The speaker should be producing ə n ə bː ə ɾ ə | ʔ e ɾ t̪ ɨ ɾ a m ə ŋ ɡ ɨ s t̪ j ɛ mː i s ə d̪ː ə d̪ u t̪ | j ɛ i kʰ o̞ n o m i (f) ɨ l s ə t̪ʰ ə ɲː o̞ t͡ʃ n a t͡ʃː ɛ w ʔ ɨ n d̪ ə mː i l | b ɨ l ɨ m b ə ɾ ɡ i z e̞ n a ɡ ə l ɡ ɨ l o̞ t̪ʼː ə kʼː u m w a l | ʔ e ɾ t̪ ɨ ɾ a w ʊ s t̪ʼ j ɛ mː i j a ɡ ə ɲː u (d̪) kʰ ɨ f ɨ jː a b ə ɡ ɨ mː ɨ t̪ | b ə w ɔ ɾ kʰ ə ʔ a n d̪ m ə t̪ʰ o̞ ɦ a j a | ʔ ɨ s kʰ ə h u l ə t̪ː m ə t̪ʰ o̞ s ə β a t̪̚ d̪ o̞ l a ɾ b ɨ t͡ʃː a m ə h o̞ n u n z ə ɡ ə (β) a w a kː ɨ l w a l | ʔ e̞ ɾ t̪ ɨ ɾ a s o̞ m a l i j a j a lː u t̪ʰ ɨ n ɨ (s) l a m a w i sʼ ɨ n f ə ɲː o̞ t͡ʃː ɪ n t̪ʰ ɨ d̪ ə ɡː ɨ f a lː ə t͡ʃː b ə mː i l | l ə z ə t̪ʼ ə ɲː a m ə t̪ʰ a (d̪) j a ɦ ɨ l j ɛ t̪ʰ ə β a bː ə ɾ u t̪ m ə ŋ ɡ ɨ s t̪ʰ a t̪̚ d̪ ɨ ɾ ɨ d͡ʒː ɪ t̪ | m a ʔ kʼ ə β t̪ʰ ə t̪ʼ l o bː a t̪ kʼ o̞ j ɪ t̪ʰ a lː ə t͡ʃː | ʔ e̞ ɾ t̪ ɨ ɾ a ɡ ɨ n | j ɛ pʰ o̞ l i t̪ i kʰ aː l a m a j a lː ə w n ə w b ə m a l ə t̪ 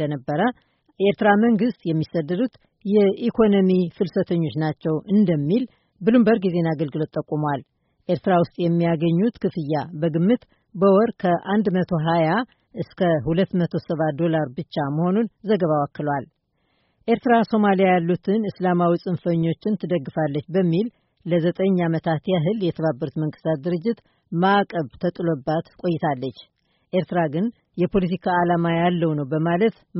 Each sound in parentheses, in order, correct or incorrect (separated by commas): correct, incorrect, correct, correct, incorrect